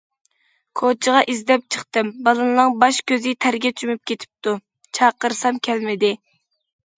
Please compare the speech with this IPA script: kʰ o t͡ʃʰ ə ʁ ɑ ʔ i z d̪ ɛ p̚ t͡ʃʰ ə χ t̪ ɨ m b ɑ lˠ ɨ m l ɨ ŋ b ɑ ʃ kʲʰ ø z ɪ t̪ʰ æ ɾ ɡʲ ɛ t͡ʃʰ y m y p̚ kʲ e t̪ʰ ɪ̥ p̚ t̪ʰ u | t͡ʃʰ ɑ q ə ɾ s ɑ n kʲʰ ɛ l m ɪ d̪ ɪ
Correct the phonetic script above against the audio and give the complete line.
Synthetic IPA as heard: kʰ o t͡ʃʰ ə ʁ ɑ ʔ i z d̪ ɛ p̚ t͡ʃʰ ə χ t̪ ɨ m b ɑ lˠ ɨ n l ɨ ŋ b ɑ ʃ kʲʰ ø z ɪ t̪ʰ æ ɾ ɡʲ ɛ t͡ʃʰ y m y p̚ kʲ e t̪ʰ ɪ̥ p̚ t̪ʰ u | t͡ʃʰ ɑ q ə ɾ s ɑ m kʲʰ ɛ l m ɪ d̪ ɪ